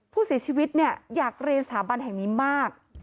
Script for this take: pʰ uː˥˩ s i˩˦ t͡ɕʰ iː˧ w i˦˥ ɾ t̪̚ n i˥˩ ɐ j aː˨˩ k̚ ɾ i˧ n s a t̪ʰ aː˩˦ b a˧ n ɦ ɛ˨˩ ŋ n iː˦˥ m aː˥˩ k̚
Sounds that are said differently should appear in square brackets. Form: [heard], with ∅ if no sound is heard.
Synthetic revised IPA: pʰ uː˥˩ s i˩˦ t͡ɕʰ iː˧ w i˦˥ [∅] t̪̚ n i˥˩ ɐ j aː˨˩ k̚ ɾ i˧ n s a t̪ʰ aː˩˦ b a˧ n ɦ ɛ˨˩ ŋ n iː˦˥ m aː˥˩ k̚

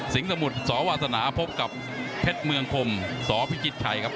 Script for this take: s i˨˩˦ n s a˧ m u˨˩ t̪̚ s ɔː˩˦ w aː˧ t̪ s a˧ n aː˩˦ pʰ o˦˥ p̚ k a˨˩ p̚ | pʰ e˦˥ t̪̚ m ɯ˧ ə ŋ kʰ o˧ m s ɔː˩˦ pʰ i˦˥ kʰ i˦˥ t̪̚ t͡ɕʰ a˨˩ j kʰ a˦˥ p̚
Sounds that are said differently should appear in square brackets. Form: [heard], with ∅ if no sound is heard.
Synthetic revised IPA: s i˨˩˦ [ŋ] s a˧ m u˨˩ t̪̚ s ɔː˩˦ w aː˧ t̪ s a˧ n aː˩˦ pʰ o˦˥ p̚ k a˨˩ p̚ | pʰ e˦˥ t̪̚ m ɯ˧ ə ŋ kʰ o˧ m s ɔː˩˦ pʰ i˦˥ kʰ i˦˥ t̪̚ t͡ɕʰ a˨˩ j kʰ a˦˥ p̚

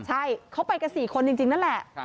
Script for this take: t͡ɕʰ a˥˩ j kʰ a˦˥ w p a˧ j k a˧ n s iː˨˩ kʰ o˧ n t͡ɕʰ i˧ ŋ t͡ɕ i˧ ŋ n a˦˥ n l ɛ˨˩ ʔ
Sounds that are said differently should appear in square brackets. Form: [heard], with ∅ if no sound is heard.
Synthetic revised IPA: t͡ɕʰ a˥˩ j kʰ a˦˥ w p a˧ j k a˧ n s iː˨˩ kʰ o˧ n [t͡ɕ] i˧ ŋ t͡ɕ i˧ ŋ n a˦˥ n l ɛ˨˩ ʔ

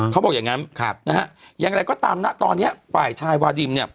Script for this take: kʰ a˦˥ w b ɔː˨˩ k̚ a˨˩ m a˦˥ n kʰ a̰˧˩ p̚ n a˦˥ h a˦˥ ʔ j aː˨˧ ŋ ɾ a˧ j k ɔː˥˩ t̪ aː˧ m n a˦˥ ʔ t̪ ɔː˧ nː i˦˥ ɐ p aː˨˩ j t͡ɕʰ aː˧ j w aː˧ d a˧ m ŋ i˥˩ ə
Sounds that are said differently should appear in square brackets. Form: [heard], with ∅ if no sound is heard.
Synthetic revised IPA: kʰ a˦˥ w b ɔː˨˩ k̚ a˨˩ [ŋ] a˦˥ n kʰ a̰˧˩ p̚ n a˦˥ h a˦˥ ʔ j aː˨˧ ŋ ɾ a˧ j k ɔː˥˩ t̪ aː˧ m n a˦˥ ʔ t̪ ɔː˧ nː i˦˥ ɐ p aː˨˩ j t͡ɕʰ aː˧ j w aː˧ d [i˧] m [n] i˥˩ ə

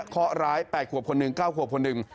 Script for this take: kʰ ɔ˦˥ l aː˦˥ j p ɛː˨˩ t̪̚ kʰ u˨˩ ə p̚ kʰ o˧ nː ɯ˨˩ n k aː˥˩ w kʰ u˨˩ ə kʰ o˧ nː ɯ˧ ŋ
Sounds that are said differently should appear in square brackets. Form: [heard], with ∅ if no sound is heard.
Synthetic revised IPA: kʰ ɔ˦˥ [ɾ] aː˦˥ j p ɛː˨˩ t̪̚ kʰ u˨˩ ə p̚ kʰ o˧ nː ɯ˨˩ [ŋ] k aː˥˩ w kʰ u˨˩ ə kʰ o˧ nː [ɯ˨˩] ŋ

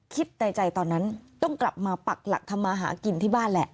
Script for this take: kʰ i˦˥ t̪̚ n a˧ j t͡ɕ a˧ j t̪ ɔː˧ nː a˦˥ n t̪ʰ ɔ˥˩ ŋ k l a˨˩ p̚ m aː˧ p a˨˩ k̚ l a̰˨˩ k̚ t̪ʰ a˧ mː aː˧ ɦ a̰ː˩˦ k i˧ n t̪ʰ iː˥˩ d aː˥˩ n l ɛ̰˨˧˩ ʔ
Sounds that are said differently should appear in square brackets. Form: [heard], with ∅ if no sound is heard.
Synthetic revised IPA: kʰ i˦˥ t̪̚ n a˧ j t͡ɕ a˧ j t̪ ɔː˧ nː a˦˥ n [t̪] ɔ˥˩ ŋ k l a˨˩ p̚ m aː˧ p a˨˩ k̚ l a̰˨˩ k̚ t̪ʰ a˧ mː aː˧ ɦ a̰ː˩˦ k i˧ n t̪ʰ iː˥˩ [b] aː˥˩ n l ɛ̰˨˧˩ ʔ

